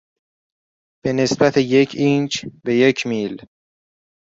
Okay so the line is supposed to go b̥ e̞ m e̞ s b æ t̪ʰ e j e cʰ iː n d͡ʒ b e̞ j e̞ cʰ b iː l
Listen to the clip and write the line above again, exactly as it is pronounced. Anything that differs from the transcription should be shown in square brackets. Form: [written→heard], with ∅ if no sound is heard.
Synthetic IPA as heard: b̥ e̞ [m→n] e̞ s b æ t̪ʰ e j e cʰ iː n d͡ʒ b e̞ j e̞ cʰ [b→m] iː l